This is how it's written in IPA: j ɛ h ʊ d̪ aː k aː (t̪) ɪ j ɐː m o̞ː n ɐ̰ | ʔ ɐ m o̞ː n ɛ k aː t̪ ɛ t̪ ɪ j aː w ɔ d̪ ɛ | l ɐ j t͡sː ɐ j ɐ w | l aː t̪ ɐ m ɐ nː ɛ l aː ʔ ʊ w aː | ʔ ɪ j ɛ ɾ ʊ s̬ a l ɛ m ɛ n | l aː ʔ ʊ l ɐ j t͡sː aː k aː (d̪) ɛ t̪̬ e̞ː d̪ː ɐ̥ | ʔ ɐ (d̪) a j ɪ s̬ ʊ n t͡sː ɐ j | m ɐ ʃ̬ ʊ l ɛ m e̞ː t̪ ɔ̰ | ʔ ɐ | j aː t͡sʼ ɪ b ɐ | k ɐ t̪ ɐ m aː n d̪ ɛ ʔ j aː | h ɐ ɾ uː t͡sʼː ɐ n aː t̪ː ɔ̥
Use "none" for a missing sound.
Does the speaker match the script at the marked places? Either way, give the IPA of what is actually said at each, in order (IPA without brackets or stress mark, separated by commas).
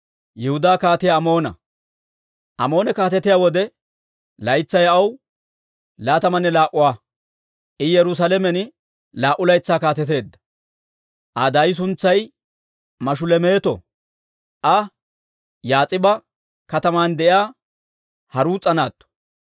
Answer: t̪, t̪, d̪